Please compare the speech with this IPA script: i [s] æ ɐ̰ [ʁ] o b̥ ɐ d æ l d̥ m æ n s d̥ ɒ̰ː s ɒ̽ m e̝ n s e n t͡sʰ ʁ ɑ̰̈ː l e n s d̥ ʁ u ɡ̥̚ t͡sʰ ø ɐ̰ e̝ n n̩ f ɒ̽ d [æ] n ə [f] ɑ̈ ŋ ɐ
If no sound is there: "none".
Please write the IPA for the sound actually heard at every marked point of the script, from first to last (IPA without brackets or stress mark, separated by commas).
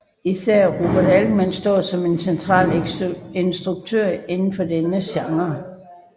s, ʁ, e, ɕ